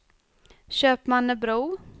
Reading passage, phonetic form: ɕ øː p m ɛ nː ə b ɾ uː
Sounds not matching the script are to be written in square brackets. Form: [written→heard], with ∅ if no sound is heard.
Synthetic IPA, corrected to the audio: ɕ øː p m [ɛ→a] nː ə b ɾ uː